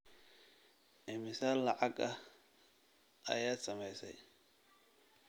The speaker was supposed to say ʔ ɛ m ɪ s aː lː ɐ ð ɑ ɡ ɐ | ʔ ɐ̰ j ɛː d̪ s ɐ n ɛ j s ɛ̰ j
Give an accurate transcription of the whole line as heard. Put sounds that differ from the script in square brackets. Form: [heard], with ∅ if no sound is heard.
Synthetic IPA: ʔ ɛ m ɪ s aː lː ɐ [ʕ] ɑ ɡ ɐ | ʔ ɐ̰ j [aː] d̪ s ɐ [m] ɛ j s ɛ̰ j